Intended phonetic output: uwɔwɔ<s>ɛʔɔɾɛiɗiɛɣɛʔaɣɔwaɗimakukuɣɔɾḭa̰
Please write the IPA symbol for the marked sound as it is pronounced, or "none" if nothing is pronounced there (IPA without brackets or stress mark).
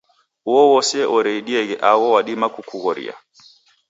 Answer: s